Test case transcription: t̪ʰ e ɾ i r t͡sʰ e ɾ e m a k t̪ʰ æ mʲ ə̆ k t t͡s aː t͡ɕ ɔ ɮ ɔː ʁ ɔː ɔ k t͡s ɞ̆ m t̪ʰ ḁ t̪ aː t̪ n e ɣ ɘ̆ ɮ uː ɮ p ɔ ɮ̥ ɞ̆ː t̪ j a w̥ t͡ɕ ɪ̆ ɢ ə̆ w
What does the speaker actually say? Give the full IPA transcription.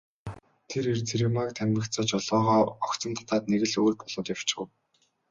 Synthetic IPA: t̪ʰ e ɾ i r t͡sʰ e ɾ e m a k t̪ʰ æ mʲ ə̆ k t t͡s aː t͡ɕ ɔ ɮ ɔː ʁ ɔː ɔ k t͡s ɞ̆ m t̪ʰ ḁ t̪ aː t̪ n e ɣ ɘ̆ ɮ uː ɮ p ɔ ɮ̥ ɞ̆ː t̪ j a w̥ t͡ɕ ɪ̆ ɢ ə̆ w